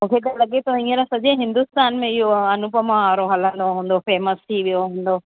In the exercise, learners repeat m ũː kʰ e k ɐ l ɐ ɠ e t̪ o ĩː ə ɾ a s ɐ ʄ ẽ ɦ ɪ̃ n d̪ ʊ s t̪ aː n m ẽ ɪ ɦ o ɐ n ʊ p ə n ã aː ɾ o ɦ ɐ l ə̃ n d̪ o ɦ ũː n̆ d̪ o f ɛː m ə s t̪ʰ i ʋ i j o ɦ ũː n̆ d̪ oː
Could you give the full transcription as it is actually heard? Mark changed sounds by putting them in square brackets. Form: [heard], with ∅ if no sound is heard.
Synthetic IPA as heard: m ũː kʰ e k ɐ l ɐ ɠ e t̪ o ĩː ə ɾ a s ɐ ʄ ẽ ɦ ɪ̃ n d̪ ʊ s t̪ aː n m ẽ ɪ ɦ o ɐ n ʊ p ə [m] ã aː ɾ o ɦ ɐ l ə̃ n d̪ o ɦ ũː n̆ d̪ o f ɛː m ə s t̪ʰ i ʋ i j o ɦ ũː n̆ d̪ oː